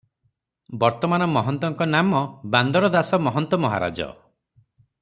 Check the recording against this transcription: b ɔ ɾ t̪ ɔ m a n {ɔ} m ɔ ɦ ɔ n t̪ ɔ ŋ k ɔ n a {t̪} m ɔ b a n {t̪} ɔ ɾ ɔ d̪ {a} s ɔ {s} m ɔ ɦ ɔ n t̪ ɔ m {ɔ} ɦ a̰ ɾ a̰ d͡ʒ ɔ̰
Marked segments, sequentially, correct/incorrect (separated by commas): correct, incorrect, incorrect, correct, incorrect, correct